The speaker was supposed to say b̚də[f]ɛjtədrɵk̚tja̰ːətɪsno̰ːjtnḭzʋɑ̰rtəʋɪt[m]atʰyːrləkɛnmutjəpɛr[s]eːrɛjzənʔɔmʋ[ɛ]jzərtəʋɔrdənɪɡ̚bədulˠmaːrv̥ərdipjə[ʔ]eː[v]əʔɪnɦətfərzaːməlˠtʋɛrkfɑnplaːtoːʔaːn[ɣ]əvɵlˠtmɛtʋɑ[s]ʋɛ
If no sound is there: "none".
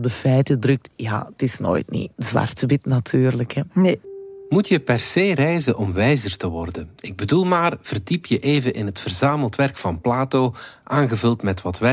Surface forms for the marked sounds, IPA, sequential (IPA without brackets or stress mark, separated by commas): f, n, s, ɛ, ʔ, v, ɣ, t